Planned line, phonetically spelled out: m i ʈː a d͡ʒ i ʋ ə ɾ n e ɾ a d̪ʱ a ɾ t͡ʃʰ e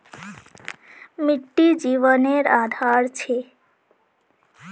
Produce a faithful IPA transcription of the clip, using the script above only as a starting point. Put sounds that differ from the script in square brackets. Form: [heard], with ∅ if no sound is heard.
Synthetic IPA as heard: m i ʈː [i] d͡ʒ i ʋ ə [∅] n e ɾ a d̪ʱ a ɾ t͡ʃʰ e